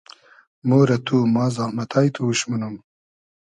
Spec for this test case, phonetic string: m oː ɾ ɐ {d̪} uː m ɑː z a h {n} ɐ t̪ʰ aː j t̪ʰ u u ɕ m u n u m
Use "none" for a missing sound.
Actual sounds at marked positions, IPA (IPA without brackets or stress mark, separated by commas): t̪, m